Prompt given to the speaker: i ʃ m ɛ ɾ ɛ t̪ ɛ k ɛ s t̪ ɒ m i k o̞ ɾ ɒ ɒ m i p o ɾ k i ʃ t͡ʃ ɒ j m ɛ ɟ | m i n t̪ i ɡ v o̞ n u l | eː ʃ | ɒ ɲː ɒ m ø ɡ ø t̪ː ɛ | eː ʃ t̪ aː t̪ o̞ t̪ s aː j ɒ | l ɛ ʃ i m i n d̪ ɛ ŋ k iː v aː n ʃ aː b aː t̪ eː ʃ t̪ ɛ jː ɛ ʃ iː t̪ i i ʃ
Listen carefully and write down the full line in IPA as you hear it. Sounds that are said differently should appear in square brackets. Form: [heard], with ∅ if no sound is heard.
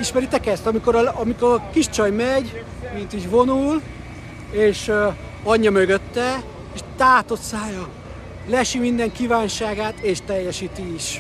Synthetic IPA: i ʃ m ɛ ɾ [i] t̪ ɛ k ɛ s t̪ ɒ m i k o̞ ɾ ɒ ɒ m i [k] o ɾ k i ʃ t͡ʃ ɒ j m ɛ ɟ | m i n t̪ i [ɟ] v o̞ n u l | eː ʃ | ɒ ɲː ɒ m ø ɡ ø t̪ː ɛ | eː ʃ t̪ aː t̪ o̞ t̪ s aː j ɒ | l ɛ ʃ i m i n d̪ ɛ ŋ k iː v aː n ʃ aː [ɡ] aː t̪ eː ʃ t̪ ɛ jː ɛ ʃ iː t̪ i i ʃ